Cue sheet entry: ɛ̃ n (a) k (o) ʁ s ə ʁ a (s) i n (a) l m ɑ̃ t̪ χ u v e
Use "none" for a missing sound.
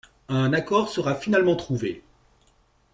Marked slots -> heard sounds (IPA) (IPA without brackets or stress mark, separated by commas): a, ɔ, f, a